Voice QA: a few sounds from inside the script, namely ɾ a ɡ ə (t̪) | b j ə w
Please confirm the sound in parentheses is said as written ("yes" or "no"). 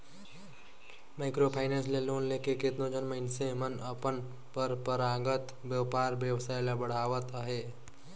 yes